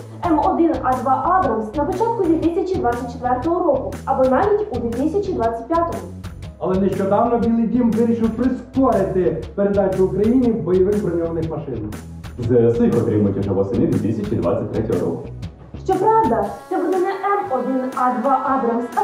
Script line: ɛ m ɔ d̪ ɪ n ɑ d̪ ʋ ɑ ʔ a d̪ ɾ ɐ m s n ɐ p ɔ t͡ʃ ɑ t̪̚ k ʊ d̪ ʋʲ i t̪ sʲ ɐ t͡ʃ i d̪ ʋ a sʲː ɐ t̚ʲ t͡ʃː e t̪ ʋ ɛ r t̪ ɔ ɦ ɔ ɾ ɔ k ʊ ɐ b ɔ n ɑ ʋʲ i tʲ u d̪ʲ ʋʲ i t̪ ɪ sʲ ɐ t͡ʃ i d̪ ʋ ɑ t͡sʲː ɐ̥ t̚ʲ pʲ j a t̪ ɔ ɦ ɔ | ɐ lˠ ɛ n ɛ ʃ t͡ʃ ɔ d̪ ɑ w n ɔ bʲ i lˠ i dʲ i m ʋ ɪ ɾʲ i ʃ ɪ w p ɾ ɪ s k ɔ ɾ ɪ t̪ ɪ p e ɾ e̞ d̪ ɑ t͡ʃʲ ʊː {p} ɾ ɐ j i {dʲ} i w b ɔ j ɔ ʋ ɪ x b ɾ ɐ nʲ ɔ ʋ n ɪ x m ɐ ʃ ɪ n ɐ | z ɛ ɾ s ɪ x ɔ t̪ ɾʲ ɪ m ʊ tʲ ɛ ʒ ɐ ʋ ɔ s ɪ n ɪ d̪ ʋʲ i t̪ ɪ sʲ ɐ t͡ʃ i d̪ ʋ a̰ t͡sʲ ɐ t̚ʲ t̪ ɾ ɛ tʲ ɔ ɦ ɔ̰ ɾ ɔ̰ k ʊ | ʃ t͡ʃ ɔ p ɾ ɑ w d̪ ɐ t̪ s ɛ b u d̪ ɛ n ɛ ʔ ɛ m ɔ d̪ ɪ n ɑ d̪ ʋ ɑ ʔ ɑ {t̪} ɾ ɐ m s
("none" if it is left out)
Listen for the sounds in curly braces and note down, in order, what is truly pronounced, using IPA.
k, nʲ, d̪

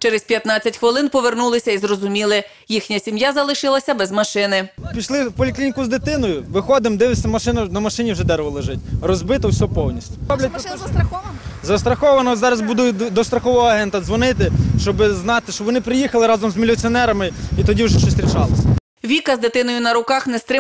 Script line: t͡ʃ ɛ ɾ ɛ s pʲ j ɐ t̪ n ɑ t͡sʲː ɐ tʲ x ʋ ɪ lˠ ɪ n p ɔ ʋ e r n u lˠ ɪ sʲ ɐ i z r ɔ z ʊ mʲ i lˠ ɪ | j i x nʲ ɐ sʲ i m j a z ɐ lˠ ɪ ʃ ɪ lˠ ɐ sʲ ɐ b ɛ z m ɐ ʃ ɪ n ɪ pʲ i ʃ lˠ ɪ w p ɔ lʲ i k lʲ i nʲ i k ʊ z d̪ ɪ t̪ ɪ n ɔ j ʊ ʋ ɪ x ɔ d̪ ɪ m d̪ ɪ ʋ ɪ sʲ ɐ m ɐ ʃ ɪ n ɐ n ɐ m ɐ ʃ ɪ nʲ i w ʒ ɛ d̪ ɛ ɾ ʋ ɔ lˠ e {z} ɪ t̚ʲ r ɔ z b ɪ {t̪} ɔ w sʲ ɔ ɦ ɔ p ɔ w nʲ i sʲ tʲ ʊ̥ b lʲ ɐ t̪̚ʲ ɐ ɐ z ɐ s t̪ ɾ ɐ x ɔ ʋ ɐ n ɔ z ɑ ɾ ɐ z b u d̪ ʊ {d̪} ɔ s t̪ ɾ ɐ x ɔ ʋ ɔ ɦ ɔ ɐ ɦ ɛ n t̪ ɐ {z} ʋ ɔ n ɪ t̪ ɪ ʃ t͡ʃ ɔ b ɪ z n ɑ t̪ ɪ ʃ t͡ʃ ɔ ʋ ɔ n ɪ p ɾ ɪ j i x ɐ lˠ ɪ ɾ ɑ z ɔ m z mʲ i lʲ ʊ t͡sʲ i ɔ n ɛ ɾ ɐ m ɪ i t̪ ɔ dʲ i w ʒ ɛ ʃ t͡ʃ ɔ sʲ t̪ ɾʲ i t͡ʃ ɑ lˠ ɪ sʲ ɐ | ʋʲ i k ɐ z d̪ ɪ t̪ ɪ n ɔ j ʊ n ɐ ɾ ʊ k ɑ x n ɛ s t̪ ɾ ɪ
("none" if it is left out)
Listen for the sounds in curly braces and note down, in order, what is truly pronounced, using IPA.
ʒ, t̪, d̪, z

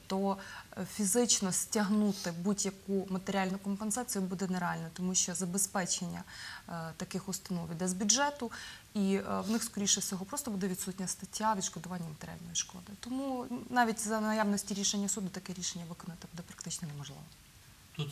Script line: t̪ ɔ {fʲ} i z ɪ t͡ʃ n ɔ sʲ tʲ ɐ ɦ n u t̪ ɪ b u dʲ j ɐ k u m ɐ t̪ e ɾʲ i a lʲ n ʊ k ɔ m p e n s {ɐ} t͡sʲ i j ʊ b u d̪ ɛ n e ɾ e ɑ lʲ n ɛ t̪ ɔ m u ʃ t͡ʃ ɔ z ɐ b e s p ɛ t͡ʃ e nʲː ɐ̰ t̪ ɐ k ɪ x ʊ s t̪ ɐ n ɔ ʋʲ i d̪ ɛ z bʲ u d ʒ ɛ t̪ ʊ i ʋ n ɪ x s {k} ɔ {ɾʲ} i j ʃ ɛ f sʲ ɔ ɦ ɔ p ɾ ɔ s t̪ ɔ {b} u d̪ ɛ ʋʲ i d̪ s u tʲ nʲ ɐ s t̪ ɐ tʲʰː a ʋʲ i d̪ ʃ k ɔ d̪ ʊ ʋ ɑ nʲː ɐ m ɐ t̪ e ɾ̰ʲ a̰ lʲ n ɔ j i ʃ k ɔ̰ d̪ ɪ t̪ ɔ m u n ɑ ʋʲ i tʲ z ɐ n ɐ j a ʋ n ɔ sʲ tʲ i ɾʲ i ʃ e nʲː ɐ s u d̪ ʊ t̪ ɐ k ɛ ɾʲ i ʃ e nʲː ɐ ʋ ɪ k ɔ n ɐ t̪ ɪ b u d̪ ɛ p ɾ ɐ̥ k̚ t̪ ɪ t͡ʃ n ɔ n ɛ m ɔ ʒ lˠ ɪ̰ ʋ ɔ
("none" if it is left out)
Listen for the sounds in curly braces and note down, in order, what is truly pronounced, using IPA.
fʲ, ɑ, k, ɾʲ, b

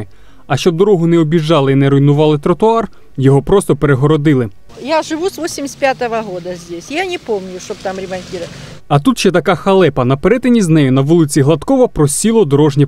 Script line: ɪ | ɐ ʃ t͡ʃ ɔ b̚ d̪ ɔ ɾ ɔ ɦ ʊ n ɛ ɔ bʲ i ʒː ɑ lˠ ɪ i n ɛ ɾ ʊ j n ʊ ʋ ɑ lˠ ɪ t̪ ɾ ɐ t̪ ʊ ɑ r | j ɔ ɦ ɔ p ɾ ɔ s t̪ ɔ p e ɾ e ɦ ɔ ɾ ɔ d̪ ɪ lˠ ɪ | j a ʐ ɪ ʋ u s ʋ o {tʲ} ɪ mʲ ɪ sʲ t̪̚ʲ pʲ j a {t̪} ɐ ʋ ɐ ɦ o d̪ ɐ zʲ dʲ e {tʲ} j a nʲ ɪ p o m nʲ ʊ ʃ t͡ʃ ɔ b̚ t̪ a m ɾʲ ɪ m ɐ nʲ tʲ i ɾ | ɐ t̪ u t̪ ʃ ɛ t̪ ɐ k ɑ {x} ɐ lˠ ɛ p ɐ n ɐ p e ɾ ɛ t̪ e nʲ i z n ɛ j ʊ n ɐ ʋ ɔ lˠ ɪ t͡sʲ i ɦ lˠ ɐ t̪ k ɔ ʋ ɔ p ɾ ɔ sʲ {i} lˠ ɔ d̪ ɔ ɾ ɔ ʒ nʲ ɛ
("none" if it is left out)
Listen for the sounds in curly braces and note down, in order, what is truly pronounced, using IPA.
sʲ, t̪, sʲ, x, i

